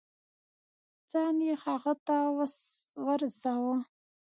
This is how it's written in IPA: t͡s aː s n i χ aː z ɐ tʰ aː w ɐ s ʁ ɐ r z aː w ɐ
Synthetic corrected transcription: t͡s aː n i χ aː ʁ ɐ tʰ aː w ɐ s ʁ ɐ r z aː w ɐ